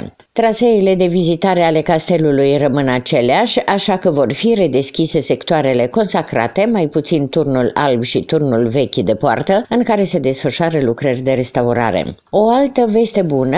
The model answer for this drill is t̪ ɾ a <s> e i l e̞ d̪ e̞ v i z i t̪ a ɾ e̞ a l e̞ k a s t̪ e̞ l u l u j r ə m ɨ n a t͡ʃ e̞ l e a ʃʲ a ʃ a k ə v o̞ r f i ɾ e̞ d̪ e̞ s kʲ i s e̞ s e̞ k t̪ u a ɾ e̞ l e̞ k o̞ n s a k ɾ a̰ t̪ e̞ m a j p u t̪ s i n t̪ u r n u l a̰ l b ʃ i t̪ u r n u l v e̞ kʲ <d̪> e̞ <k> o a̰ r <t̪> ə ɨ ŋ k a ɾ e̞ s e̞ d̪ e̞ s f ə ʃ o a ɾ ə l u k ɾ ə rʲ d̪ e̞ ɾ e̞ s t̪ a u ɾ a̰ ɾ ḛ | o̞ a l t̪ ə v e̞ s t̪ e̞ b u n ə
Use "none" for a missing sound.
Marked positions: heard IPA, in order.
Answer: s, d̪, p, t̪

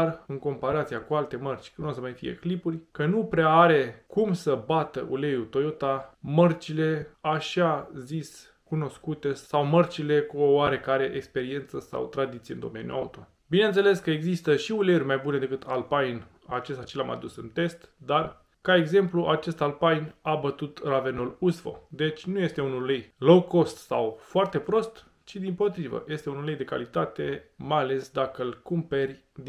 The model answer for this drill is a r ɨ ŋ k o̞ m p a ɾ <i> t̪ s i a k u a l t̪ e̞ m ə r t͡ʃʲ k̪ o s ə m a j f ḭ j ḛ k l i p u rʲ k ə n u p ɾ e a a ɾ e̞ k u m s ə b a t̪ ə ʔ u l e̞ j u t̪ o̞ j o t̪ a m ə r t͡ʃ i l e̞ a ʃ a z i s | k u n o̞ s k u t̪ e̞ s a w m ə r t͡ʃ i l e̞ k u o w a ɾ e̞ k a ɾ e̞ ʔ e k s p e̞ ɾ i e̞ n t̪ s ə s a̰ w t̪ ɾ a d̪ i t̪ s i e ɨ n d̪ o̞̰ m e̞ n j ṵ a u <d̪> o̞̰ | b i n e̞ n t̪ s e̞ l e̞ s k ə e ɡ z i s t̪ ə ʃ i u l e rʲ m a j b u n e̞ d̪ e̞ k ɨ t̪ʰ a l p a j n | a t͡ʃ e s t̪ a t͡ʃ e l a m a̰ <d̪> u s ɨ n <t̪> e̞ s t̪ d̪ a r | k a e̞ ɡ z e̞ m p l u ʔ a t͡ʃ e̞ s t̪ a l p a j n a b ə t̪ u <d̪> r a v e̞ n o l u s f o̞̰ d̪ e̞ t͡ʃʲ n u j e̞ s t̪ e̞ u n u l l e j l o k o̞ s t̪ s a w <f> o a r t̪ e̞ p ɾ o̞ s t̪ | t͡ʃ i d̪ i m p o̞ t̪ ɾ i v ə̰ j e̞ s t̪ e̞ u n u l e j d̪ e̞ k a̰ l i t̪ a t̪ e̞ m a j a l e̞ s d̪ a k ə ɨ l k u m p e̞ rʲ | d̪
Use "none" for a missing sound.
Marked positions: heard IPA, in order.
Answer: a, t̪, d̪, t̪, t̪, f

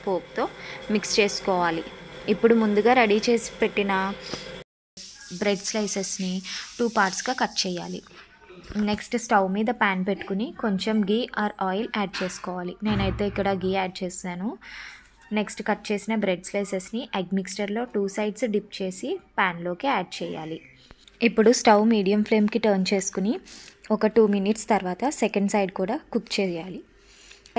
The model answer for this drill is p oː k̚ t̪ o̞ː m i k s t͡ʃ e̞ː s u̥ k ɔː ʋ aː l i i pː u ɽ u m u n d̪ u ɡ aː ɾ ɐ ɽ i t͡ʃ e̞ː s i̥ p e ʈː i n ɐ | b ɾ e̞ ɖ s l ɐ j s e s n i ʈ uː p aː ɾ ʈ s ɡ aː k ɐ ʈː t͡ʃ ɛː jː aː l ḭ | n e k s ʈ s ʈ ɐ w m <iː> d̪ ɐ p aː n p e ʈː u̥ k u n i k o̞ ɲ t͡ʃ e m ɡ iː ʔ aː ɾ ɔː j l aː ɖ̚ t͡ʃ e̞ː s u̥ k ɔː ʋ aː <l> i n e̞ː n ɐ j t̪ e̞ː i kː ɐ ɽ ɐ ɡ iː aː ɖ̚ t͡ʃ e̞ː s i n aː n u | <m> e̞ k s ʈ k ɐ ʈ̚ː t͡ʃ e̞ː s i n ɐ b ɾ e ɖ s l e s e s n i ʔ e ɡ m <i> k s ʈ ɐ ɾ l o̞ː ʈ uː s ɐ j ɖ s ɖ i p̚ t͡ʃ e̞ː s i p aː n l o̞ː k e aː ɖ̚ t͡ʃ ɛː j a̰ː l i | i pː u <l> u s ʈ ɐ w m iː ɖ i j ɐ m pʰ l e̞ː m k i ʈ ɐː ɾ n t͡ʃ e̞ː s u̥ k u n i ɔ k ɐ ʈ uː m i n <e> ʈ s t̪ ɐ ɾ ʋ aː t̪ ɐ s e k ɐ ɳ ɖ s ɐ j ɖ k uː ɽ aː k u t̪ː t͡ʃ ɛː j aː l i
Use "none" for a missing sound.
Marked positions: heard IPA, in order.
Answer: iː, l, n, i, ɽ, i

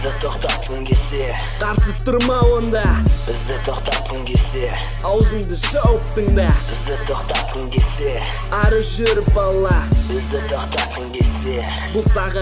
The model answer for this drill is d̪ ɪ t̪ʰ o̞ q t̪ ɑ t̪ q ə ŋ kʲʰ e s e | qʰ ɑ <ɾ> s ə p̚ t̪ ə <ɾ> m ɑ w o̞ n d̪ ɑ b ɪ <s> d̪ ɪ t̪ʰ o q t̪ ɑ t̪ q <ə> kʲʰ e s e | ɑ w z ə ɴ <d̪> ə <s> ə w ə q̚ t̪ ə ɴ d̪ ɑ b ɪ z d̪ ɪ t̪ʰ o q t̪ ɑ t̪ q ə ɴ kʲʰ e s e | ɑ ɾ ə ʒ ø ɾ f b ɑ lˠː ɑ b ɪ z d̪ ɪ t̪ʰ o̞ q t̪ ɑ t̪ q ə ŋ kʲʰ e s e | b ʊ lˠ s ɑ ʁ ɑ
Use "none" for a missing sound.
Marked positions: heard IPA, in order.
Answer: ɾ, ɾ, z, ə, d̪, ʃ

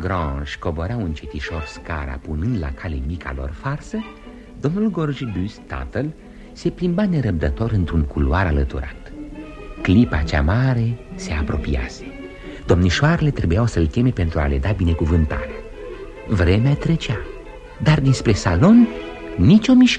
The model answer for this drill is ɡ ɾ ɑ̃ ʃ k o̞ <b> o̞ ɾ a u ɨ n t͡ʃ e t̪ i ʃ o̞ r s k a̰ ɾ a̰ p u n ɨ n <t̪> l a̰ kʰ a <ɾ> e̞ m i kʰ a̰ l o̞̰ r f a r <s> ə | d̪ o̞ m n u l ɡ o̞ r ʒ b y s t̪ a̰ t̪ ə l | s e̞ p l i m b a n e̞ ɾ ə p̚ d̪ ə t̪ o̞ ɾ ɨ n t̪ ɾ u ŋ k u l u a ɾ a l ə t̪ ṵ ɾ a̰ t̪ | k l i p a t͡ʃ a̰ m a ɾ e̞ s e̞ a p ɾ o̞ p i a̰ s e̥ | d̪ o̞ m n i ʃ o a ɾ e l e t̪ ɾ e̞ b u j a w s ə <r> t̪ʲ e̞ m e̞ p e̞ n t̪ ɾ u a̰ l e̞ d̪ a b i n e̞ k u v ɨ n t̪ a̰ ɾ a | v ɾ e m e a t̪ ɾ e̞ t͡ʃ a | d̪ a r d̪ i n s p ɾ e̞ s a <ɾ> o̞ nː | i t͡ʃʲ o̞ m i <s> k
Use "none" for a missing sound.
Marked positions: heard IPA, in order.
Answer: b, d̪, l, s, l, l, ʃ

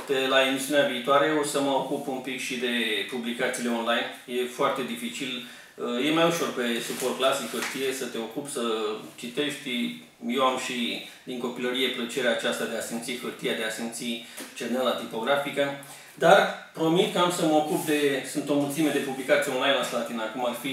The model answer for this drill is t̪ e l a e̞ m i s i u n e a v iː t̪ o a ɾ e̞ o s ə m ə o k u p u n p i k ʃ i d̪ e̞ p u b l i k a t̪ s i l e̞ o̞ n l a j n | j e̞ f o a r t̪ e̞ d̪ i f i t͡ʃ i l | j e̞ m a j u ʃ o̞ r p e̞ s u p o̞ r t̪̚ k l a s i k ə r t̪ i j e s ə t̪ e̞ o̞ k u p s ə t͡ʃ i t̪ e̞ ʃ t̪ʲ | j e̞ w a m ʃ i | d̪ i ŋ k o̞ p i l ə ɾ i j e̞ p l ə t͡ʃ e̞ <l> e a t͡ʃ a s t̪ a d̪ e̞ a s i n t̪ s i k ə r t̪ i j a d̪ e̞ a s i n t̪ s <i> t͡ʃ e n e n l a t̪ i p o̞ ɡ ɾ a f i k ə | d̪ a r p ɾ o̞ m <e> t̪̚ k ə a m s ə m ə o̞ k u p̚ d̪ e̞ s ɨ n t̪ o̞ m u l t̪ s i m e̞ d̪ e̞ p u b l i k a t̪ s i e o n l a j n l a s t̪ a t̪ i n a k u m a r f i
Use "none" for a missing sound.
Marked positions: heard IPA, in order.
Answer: ɾ, i, i

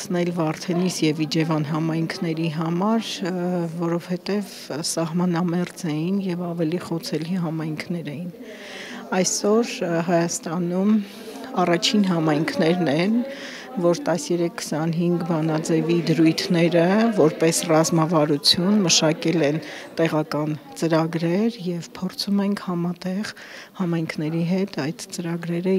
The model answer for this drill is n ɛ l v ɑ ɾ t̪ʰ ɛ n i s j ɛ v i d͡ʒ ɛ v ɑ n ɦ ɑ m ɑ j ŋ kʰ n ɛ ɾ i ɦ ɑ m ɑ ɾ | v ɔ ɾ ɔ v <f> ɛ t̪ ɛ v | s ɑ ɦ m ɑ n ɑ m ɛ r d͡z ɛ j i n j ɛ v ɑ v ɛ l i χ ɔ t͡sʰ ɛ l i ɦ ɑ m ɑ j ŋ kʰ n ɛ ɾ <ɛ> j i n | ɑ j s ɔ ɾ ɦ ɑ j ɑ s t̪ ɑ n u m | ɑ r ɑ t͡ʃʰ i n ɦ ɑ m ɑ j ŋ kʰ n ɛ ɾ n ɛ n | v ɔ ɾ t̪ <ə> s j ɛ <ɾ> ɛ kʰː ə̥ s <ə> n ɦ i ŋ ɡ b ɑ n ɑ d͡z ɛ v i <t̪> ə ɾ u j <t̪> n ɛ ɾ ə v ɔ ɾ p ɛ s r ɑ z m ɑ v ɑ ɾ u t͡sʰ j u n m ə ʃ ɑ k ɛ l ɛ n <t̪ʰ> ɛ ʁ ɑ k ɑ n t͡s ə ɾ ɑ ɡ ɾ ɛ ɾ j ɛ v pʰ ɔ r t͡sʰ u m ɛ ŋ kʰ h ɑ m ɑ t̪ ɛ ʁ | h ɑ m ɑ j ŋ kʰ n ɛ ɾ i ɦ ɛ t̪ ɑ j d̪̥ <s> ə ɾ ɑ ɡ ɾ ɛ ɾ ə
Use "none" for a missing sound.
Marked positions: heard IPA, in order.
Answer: h, ɛ, ɑ, ɾ, ɑ, d̪, t̪ʰ, t̪, t͡s

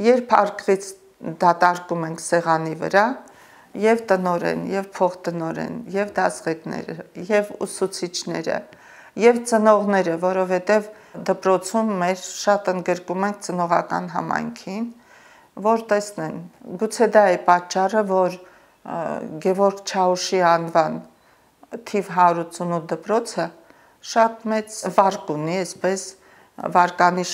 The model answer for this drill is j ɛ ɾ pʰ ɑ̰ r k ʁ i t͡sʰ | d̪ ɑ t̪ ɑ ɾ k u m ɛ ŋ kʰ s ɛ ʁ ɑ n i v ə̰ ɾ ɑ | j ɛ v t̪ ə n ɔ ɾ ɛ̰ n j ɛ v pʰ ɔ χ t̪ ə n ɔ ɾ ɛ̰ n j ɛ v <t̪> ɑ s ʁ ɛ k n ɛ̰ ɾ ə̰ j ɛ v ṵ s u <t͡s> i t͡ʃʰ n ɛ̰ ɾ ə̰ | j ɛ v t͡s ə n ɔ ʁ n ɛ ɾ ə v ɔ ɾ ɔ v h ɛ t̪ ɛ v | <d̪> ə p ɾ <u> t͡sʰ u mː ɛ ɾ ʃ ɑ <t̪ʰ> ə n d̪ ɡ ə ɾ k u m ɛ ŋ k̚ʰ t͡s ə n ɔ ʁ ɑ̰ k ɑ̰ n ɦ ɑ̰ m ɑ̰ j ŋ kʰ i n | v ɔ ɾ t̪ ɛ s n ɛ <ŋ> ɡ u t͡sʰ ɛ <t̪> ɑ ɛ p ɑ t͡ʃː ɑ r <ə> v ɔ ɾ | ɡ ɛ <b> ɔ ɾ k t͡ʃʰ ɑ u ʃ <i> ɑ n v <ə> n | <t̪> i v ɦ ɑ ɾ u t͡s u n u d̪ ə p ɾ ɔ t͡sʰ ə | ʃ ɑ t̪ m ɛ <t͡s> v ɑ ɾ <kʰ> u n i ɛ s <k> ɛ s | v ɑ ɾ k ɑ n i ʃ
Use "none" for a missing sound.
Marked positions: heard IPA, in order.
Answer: d̪, t͡sʰ, d̪, ɔ, t̪, n, d̪, ə, v, i, ɑ, t̪ʰ, t͡s, k, p

